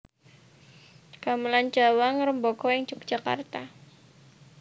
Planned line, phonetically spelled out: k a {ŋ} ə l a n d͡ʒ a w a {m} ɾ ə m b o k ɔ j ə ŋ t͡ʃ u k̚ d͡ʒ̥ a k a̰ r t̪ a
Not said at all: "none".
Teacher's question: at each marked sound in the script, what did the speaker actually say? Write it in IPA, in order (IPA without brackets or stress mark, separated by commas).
m, ŋ